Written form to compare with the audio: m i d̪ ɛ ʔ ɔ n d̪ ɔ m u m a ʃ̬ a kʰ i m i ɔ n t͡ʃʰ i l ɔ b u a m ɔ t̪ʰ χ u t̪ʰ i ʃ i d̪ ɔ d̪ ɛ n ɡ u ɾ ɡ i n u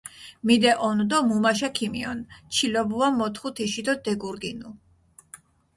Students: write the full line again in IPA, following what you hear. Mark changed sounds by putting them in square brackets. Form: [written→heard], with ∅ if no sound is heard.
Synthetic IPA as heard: m i d̪ ɛ ʔ ɔ n d̪ ɔ m u m a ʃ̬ a kʰ i m i ɔ n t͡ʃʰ i l ɔ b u a m ɔ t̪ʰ χ u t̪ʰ i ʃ i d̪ ɔ d̪ ɛ [n→∅] ɡ u ɾ ɡ i n u